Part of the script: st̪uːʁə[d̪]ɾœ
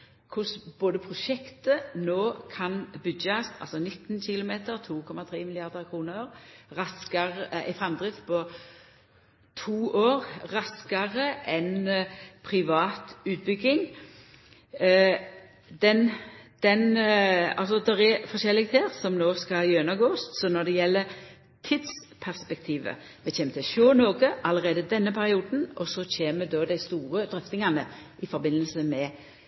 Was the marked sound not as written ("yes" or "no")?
no